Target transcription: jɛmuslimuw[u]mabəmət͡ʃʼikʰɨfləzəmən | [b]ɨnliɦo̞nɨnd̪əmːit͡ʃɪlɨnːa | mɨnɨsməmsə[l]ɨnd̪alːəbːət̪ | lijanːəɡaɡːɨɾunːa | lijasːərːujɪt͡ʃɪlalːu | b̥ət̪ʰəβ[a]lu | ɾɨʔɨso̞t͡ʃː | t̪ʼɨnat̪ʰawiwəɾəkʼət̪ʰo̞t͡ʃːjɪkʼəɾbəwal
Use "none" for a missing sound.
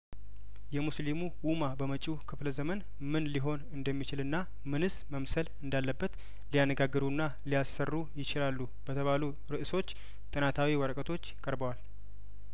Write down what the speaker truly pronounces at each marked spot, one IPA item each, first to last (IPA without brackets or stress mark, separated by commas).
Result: u, m, l, a